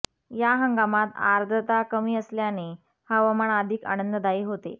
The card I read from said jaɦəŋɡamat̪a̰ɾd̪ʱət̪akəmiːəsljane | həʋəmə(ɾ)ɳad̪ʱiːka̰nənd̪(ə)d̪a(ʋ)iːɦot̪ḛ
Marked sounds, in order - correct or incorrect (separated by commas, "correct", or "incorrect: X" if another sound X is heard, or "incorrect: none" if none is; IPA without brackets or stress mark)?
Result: incorrect: none, correct, incorrect: none